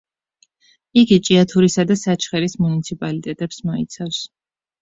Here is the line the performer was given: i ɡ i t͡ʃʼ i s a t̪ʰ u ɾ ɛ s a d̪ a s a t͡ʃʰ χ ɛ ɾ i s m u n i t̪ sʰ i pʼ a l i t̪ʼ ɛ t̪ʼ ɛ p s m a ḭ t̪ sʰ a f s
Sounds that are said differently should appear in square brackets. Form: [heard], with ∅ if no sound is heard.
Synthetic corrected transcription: i ɡ i t͡ʃʼ i [∅] a t̪ʰ u ɾ [i] s a d̪ a s a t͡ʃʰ χ ɛ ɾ i s m u n i t̪ sʰ i pʼ a l i t̪ʼ ɛ t̪ʼ ɛ p s m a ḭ t̪ sʰ a f s